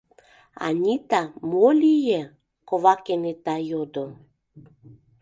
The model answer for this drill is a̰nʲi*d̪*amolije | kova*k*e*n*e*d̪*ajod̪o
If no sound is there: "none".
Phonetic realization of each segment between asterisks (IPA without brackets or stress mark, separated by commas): t̪, k, n, t̪